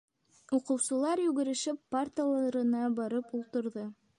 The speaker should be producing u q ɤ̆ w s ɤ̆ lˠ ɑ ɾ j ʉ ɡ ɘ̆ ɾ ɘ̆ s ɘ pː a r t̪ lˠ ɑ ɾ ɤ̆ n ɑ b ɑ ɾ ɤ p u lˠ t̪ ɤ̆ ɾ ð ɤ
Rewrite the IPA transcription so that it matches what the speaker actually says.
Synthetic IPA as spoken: u q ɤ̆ w s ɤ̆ lˠ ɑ ɾ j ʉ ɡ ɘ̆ ɾ ɘ̆ ʃ ɘ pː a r t̪ lˠ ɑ ɾ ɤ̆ n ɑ b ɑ ɾ ɤ p u lˠ t̪ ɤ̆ ɾ ð ɤ